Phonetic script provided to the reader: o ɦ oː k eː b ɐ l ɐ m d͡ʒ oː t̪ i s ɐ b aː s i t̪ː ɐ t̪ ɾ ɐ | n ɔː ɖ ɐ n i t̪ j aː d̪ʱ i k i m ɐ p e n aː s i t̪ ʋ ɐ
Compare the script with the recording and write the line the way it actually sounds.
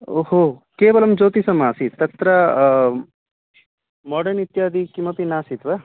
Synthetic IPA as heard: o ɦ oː k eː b ɐ l ɐ m d͡ʒ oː t̪ i s ɐ m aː s i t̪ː ɐ t̪ ɾ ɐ | m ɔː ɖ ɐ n i t̪ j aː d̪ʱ i k i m ɐ p i n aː s i t̪ ʋ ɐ